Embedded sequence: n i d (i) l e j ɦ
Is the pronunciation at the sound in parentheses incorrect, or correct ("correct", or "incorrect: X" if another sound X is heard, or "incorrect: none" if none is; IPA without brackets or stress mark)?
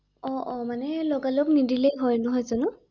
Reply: correct